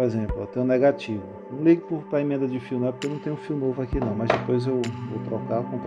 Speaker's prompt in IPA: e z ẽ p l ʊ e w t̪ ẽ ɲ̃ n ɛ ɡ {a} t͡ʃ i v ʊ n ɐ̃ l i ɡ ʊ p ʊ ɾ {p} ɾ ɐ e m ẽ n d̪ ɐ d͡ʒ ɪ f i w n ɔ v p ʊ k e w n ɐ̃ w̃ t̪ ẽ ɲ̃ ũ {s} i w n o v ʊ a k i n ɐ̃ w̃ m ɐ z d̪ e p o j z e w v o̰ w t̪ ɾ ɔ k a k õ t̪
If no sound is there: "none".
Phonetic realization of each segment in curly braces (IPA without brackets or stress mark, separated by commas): a, p, f